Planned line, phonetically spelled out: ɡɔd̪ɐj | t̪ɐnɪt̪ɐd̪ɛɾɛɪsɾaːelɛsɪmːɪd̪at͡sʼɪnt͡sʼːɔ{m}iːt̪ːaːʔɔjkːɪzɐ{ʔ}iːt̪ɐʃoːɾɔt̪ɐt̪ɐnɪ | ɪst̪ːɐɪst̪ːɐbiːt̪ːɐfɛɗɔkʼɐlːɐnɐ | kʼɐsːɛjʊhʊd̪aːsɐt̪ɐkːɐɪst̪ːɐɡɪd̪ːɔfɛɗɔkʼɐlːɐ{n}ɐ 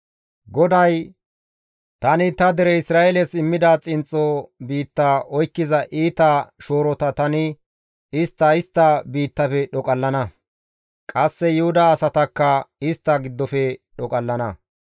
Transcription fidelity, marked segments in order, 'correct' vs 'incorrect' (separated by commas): incorrect, correct, correct